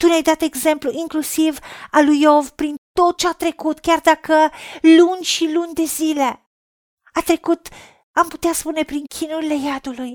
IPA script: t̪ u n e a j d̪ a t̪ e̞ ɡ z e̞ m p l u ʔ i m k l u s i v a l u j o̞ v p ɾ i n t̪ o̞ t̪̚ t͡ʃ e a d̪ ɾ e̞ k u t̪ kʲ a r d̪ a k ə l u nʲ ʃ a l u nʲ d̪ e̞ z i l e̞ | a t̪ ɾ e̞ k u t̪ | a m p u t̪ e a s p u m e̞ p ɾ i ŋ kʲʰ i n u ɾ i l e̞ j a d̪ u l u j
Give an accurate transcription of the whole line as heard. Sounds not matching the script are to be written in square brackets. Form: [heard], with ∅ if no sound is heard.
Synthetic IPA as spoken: t̪ u n e a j d̪ a t̪ e̞ ɡ z e̞ m p l u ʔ i [ŋ] k l u s i v a l u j o̞ v p ɾ i n t̪ o̞ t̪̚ t͡ʃ e a [t̪] ɾ e̞ k u t̪ kʲ a r d̪ a k ə l u nʲ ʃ [i] l u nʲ d̪ e̞ z i l e̞ | a t̪ ɾ e̞ k u t̪ | a m p u t̪ e a s p u [n] e̞ p ɾ i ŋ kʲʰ i n u ɾ i l e̞ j a d̪ u l u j